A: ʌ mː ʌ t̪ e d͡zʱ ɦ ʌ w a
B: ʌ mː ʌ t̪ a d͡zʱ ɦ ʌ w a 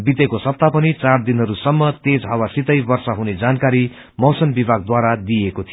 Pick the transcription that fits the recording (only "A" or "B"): A